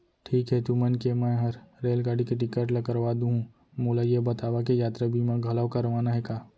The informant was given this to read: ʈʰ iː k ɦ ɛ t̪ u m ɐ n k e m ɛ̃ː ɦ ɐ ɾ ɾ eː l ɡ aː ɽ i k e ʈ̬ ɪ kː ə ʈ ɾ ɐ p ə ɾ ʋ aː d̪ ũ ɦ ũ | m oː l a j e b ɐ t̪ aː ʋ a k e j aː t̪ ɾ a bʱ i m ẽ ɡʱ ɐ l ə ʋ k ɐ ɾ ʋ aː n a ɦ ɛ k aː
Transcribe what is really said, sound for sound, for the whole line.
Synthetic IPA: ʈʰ iː k ɦ ɛ t̪ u m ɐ n k e m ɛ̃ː ɦ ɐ ɾ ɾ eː l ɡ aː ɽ i k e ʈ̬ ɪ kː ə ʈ l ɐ k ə ɾ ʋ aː d̪ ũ ɦ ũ | m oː l a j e b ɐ t̪ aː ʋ a k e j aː t̪ ɾ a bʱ i m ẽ ɡʱ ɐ l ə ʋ k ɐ ɾ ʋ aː n a ɦ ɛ k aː